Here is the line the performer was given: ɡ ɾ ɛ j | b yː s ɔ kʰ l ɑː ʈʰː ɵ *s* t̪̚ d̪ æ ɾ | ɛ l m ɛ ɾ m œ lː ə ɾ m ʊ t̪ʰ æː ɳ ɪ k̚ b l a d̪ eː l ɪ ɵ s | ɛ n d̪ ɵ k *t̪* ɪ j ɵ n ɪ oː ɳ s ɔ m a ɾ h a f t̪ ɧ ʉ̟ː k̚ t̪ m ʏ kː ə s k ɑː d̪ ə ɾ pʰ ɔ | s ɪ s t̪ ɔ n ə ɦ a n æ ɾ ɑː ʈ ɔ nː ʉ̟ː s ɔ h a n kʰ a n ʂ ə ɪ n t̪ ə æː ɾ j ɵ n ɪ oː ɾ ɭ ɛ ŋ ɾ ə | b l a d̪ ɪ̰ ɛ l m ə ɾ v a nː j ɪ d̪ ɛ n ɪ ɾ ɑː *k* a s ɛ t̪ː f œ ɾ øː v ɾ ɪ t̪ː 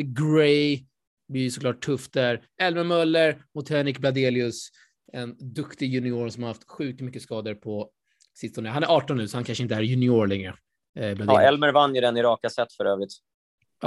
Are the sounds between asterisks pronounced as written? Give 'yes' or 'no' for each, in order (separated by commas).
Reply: no, yes, yes